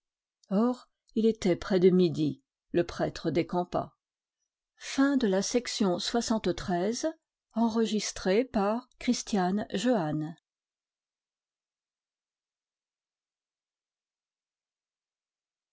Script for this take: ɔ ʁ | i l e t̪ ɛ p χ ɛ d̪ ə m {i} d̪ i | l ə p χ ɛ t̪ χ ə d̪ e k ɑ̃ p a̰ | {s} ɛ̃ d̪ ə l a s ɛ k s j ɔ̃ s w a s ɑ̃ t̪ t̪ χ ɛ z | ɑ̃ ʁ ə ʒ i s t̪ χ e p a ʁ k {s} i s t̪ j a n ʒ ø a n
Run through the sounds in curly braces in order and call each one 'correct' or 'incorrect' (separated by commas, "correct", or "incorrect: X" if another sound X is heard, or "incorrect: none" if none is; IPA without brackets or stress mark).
correct, incorrect: f, incorrect: χ